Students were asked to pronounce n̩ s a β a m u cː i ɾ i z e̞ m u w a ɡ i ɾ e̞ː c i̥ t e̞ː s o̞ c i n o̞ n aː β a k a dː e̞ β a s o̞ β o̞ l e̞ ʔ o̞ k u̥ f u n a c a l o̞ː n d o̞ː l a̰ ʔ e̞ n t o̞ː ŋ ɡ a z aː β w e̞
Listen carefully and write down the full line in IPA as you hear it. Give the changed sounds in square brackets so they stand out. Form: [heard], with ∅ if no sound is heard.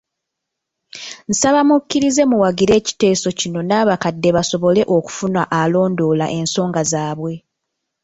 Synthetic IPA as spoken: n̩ s a β a m u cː i ɾ i z e̞ m u w a ɡ i ɾ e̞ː c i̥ t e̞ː s o̞ c i n o̞ n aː β a k a dː e̞ β a s o̞ β o̞ l e̞ ʔ o̞ k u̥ f u n a [ʔ] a l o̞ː n d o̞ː l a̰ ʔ e̞ n [s] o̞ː ŋ ɡ a z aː β w e̞